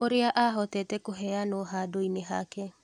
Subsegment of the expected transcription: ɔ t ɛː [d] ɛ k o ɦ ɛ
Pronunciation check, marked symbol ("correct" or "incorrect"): incorrect